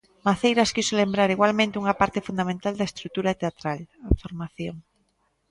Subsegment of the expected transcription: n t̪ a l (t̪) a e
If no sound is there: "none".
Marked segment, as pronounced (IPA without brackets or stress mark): d̪